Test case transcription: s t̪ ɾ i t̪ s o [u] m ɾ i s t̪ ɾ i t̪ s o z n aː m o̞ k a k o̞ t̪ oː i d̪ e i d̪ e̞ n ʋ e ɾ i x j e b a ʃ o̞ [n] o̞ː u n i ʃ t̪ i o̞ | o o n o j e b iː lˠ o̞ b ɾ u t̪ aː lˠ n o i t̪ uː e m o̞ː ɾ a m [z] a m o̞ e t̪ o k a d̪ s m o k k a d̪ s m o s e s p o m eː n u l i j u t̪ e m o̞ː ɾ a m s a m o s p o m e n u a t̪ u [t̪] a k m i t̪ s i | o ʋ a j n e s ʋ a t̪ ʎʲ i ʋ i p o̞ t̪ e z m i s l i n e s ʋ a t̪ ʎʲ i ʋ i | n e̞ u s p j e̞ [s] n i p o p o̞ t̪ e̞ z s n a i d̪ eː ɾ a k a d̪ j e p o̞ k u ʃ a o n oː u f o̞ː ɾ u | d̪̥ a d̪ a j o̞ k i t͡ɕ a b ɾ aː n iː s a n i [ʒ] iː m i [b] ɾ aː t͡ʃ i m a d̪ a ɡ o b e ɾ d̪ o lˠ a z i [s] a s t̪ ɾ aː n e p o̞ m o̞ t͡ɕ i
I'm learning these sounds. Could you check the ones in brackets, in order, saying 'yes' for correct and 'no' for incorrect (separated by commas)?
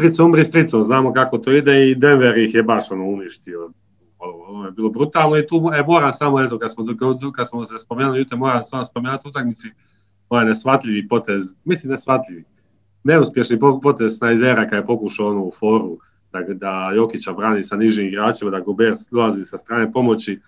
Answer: yes, yes, no, yes, no, yes, no, yes